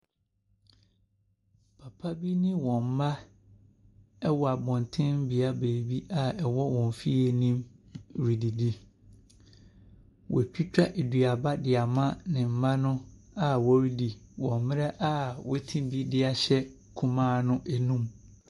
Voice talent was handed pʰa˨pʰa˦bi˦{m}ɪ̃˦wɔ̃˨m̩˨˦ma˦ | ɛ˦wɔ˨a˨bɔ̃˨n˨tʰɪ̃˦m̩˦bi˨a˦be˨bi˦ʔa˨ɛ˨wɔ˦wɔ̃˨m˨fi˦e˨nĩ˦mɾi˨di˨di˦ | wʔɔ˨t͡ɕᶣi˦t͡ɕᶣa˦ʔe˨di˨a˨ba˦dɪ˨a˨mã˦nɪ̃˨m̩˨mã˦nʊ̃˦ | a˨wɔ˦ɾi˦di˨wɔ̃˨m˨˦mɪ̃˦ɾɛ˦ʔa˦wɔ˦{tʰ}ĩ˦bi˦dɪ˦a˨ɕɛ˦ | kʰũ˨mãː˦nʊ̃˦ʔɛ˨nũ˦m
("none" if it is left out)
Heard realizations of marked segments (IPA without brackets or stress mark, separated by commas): n, tʰ